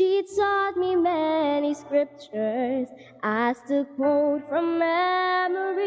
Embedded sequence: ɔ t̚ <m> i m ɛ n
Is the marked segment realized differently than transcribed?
no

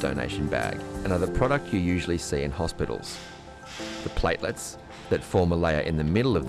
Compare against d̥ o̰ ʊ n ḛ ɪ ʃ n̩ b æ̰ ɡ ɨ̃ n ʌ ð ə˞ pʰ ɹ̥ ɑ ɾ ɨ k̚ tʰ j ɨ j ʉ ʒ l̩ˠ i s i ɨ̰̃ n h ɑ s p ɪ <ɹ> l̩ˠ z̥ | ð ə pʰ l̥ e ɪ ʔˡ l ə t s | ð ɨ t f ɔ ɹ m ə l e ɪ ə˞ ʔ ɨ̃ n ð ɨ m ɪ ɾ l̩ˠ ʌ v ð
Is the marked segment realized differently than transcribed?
yes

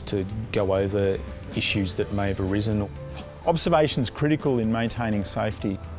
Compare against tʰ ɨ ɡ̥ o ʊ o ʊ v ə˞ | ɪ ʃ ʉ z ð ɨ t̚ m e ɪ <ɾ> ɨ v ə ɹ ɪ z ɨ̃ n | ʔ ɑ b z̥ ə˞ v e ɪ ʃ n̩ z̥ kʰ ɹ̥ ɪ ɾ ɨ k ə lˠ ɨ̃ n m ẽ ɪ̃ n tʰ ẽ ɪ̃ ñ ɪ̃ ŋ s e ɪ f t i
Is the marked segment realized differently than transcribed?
yes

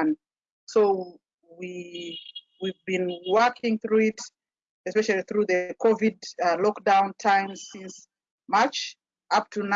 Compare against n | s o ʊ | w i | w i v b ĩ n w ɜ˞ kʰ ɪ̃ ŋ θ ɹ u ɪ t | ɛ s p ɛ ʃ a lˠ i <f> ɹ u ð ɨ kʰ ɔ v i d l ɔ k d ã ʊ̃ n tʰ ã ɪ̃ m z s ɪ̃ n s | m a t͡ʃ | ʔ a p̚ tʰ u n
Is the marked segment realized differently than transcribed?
yes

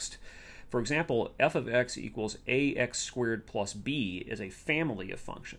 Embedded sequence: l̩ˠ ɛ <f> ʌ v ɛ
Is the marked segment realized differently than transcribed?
no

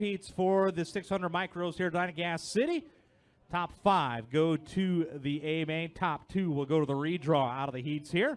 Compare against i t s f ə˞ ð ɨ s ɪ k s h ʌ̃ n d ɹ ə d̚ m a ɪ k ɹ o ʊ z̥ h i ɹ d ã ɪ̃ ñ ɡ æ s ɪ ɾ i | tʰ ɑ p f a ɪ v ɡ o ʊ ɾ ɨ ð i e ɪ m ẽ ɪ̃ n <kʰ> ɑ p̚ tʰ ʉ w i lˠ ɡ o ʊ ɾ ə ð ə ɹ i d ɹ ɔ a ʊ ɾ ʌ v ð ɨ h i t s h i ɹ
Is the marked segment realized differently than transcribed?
yes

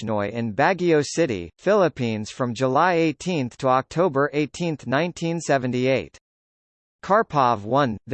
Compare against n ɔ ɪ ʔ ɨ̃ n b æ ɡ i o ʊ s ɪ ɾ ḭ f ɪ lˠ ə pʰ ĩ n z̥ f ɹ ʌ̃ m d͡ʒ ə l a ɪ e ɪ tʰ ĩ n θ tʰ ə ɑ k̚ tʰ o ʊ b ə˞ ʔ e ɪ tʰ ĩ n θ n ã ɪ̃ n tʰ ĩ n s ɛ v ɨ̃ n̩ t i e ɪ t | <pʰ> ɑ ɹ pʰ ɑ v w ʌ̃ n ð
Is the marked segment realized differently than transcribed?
yes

